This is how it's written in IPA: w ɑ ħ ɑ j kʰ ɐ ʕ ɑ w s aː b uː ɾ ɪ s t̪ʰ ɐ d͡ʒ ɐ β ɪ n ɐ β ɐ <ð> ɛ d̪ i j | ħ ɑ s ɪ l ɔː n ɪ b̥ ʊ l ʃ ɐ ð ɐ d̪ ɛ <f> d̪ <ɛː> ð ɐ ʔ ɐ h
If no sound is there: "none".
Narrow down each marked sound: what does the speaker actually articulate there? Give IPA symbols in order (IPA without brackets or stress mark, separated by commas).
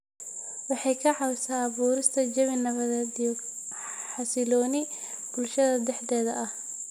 ð, ħ, ɛː